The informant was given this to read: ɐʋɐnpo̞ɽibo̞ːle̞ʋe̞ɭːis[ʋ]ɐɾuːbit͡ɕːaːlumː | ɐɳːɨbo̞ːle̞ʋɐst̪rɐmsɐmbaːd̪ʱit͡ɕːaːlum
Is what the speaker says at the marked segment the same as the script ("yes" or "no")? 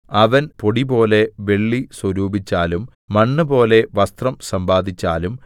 no